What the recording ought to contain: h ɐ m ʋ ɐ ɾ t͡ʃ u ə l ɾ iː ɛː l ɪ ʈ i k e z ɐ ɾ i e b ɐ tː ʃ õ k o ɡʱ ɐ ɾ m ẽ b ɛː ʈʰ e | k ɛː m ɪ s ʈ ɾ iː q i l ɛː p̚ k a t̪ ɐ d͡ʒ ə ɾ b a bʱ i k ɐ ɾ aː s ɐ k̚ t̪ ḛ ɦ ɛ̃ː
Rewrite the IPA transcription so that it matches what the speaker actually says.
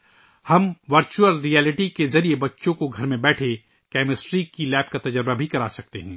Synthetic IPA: h ɐ m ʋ ɐ ɾ t͡ʃ u ə l ɾ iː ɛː l ɪ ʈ i k e z ɐ ɾ i e b ɐ tː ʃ õ k o ɡʱ ɐ ɾ m ẽ b ɛː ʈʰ e | k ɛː m ɪ s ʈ ɾ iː k i l ɛː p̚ k a t̪ ɐ d͡ʒ ə ɾ b a bʱ i k ɐ ɾ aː s ɐ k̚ t̪ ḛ ɦ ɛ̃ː